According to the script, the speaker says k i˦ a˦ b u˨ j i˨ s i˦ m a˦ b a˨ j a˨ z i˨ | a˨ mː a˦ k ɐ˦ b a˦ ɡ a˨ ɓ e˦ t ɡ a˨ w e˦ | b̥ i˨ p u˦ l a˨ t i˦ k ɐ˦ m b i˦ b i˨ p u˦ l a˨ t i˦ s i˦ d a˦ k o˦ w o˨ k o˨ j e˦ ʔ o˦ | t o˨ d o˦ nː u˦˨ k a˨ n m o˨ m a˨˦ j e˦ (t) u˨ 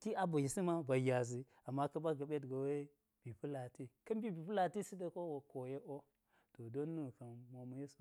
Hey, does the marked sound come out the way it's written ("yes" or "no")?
no